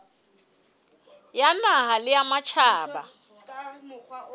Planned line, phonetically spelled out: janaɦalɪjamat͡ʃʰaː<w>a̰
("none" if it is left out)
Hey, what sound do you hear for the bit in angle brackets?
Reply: b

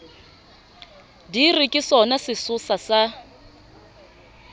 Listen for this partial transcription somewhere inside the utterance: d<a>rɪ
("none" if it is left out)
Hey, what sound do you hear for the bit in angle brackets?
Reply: i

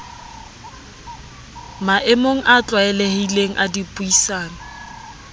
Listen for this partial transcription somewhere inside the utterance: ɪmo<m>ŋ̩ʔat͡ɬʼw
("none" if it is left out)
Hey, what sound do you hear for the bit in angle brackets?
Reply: none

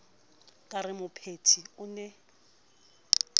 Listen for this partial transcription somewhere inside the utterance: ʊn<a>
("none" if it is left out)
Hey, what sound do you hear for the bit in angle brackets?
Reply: ɛ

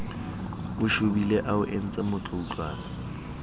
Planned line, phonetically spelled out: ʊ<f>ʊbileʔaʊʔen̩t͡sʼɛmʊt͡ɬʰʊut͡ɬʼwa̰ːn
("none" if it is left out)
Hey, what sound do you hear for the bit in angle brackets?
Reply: ʃ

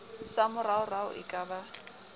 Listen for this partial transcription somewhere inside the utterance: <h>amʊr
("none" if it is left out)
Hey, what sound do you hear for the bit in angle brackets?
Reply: s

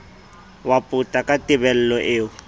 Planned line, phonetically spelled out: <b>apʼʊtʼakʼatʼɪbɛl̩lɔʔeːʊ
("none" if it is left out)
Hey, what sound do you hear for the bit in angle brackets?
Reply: w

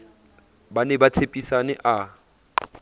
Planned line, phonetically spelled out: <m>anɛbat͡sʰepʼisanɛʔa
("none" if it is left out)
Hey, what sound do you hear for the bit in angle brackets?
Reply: b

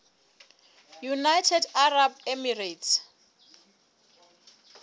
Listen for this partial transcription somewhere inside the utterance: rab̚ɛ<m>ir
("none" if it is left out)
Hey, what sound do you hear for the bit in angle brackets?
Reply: m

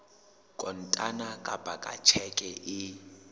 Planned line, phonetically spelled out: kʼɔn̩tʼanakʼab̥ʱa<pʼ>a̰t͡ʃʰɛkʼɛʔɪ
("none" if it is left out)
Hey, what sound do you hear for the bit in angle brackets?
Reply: kʼ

